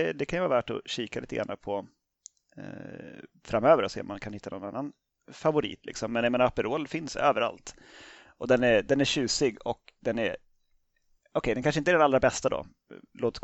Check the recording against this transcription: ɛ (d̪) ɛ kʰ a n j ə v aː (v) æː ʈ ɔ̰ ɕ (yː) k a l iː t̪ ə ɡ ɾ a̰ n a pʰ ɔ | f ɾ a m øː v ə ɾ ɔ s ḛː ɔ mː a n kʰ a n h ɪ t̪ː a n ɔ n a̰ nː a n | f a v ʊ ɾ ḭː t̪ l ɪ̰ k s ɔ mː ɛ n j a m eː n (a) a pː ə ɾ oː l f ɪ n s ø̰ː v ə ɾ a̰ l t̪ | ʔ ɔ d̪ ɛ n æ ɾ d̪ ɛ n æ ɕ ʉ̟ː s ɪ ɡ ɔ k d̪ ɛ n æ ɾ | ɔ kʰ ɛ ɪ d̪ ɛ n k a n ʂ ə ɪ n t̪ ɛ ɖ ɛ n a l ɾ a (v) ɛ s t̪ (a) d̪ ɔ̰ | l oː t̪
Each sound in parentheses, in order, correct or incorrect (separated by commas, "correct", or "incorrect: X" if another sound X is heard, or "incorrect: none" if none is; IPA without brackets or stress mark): correct, correct, incorrect: iː, correct, incorrect: b, correct